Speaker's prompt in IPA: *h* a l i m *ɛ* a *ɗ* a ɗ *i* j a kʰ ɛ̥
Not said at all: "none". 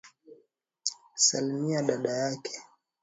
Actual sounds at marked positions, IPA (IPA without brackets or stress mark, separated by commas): s, i, ɗ, a